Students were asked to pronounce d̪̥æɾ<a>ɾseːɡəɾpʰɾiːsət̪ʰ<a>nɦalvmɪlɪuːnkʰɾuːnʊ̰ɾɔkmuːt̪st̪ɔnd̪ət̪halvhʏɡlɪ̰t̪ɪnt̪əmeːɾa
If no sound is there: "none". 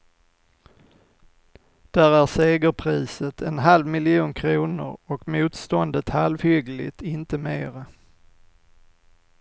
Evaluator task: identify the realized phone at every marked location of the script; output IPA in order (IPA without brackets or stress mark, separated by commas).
æ, ɛ